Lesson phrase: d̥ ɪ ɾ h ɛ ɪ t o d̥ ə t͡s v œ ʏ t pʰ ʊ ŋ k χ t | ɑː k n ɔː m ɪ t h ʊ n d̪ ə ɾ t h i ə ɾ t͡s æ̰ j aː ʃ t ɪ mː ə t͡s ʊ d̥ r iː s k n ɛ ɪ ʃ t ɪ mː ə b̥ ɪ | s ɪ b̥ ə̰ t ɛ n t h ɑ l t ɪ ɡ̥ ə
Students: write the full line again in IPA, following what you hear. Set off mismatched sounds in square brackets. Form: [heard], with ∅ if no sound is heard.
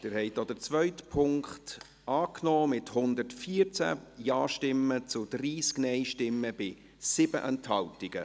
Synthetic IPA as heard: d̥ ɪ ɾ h ɛ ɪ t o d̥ ə t͡s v œ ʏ t pʰ ʊ ŋ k χ t | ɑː k n ɔː m ɪ t h ʊ n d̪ ə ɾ t [f] i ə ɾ t͡s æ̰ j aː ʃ t ɪ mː ə t͡s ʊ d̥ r iː s k n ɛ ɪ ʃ t ɪ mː ə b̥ ɪ | s ɪ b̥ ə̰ [ʔ] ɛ n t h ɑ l t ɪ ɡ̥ ə